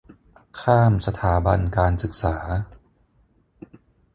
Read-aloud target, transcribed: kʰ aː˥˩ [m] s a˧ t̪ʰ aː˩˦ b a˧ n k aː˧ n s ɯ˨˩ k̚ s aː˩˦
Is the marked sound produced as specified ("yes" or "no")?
yes